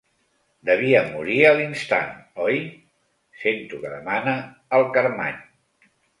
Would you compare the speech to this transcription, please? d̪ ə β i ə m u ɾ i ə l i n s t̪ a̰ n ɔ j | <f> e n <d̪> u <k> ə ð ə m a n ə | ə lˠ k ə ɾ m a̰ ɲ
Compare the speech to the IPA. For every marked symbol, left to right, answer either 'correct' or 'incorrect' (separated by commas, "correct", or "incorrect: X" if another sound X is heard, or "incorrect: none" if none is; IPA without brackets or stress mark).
incorrect: s, incorrect: t̪, correct